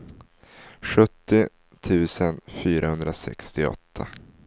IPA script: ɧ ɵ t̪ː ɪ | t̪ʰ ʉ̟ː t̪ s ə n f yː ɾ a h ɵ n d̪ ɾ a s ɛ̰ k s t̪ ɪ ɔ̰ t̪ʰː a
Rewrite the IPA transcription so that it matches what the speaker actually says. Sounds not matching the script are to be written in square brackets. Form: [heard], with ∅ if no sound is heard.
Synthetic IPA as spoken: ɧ ɵ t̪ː ɪ | t̪ʰ ʉ̟ː [∅] s ə n f yː ɾ a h ɵ n d̪ ɾ a s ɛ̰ k s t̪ ɪ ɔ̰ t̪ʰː a